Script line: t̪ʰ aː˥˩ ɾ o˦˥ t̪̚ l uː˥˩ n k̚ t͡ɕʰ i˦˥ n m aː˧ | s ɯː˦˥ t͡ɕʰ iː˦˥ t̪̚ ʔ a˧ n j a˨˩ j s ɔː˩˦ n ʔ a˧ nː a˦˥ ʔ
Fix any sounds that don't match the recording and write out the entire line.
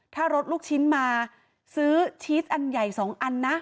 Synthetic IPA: t̪ʰ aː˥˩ ɾ o˦˥ t̪̚ l uː˥˩ k̚ t͡ɕʰ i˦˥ n m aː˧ | s ɯː˦˥ t͡ɕʰ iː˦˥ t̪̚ ʔ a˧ n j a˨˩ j s ɔː˩˦ ŋ ʔ a˧ nː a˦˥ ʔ